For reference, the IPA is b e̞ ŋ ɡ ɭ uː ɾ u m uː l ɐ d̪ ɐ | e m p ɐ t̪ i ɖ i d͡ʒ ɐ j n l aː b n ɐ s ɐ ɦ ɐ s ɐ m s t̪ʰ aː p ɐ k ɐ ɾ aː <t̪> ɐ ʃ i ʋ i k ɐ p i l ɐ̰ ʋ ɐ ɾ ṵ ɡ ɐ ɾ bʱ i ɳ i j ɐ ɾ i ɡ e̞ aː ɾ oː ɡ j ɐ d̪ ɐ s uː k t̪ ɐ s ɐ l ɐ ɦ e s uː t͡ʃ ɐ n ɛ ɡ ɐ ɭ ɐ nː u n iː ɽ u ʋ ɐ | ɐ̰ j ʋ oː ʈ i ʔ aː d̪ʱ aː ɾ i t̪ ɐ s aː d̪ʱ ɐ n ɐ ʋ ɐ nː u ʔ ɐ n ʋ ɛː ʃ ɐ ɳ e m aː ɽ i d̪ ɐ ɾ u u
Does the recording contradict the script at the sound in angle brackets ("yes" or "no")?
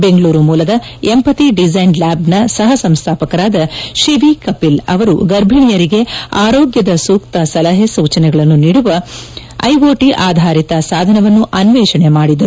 yes